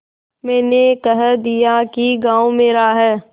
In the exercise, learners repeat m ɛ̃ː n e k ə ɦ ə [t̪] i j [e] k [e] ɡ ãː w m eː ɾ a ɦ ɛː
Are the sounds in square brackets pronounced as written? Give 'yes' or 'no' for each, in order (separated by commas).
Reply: no, no, no